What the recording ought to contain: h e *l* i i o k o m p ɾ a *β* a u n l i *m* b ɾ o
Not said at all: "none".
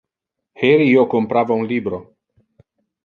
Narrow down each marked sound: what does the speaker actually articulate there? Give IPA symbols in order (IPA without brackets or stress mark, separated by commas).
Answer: ɾ, v, none